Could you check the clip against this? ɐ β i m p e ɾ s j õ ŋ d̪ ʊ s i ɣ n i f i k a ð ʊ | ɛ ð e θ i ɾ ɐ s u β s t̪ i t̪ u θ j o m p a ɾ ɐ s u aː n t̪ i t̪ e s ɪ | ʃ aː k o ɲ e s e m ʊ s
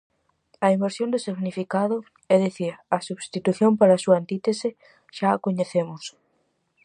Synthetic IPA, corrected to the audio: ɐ i m b e ɾ s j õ n d̪ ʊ s i ɣ n i f i k a ð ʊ | ɛ ð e θ i ɾ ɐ s u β s t̪ i t̪ u θ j o m p a ɾ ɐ s u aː n t̪ i t̪ e s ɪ | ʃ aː k o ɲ e θ e m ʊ s